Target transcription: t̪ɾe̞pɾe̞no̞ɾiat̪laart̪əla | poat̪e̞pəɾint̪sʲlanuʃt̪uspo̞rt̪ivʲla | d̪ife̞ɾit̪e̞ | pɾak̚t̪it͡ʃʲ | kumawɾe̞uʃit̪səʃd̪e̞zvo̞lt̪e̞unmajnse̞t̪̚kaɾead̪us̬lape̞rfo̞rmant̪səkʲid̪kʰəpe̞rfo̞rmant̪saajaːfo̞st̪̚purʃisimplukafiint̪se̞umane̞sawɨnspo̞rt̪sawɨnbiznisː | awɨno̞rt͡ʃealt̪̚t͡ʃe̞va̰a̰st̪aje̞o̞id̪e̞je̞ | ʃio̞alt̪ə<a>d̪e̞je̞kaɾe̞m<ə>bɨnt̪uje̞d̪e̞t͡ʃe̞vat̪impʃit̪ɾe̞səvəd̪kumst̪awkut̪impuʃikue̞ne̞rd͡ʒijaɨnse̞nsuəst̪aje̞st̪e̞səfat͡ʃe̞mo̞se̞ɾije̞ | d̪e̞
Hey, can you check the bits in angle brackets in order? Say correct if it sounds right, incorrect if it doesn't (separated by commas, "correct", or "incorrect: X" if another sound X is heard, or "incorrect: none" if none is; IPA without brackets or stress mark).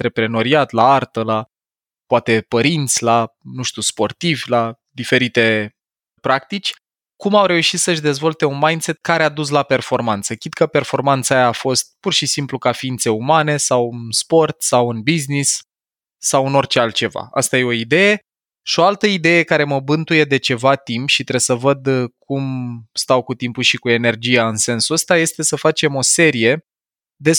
incorrect: i, correct